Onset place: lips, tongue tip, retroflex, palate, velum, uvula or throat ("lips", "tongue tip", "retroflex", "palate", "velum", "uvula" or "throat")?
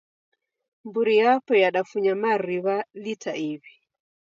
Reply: lips